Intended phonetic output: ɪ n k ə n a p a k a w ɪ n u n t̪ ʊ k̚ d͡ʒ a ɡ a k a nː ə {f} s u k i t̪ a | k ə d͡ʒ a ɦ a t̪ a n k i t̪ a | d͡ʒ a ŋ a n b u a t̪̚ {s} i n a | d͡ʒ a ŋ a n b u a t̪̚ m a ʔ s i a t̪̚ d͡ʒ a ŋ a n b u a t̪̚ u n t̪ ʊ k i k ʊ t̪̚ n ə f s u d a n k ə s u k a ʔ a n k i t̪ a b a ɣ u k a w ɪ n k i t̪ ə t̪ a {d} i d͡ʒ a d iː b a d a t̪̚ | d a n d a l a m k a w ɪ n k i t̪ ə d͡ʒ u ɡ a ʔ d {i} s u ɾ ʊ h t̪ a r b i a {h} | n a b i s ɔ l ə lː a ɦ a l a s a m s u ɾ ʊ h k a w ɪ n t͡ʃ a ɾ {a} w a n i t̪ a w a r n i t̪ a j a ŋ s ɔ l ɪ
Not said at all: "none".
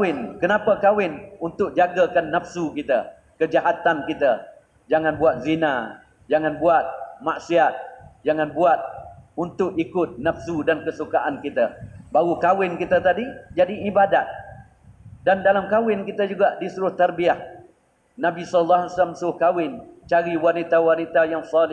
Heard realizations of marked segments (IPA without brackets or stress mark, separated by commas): f, z, d, i, h, i